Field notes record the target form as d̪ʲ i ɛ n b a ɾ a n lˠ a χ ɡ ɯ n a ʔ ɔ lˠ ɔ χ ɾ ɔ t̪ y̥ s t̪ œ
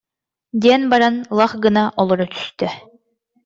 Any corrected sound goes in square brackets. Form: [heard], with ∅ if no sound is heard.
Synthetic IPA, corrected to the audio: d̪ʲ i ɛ n b a ɾ a n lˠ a χ ɡ ɯ n a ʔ ɔ lˠ ɔ [∅] ɾ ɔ t̪ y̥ s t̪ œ